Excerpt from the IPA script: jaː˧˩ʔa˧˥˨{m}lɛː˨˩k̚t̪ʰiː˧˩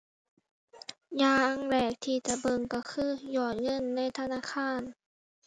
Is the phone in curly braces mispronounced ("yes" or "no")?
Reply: yes